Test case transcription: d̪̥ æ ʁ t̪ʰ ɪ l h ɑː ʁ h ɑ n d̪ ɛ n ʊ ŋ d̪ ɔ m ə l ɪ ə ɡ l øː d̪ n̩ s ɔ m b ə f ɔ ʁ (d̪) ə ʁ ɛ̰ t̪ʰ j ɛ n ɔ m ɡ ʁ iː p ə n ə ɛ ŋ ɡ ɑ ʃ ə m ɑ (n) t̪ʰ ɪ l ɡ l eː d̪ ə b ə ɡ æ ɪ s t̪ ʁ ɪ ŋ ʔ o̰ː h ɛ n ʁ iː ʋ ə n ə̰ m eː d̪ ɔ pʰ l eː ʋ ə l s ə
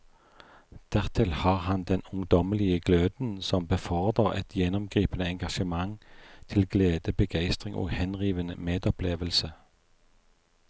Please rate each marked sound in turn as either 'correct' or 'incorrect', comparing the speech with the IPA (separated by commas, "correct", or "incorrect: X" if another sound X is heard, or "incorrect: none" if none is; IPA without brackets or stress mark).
correct, incorrect: ŋ